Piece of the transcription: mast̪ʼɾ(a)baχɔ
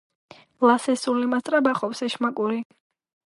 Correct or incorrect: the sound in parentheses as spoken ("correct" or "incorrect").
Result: correct